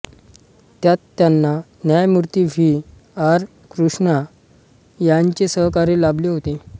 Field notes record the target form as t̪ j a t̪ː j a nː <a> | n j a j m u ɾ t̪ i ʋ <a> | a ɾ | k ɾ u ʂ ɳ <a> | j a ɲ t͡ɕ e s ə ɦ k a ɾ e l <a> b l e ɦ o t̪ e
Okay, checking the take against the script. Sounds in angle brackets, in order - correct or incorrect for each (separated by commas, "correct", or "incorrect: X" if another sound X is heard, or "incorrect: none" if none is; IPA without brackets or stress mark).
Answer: correct, incorrect: i, correct, correct